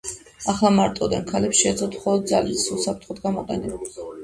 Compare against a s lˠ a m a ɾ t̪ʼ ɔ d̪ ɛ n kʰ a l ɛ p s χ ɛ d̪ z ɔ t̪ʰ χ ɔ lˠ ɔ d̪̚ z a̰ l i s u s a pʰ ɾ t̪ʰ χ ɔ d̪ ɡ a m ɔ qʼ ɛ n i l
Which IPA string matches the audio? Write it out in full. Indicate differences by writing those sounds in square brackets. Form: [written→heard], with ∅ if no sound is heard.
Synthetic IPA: a [s→χ] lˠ a m a ɾ t̪ʼ ɔ d̪ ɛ n kʰ a l ɛ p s [χ→ʃ] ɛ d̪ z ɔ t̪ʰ χ ɔ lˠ ɔ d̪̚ z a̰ l i s u s a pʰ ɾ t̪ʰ χ ɔ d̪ ɡ a m ɔ qʼ ɛ n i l

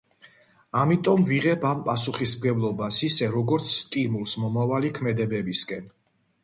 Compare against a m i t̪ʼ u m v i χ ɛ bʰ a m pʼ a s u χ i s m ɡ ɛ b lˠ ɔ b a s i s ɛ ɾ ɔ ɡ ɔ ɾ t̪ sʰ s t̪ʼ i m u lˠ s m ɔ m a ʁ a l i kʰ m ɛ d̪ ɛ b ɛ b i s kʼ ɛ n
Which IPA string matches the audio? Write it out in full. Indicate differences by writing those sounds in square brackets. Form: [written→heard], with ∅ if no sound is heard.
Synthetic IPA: a m i t̪ʼ [u→ɔ] m v i [χ→ʁ] ɛ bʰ a m pʼ a s u χ i s m ɡ ɛ b lˠ ɔ b a s i s ɛ ɾ ɔ ɡ ɔ ɾ t̪ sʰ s t̪ʼ i m u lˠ s m ɔ m a [ʁ→v] a l i kʰ m ɛ d̪ ɛ b ɛ b i s kʼ ɛ n

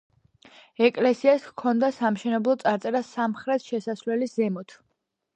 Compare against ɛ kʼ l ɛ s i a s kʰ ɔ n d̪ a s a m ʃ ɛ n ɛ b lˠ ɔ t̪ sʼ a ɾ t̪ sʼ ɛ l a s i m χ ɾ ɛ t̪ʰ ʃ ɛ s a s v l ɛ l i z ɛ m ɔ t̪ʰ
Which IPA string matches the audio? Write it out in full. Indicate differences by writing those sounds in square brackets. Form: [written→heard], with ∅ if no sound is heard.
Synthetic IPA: ɛ kʼ l ɛ s i a s kʰ ɔ n d̪ a s a m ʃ ɛ n ɛ b lˠ ɔ t̪ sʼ a ɾ t̪ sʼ ɛ [l→ɾ] a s [i→a] m χ ɾ ɛ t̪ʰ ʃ ɛ s a s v l ɛ l i z ɛ m ɔ t̪ʰ

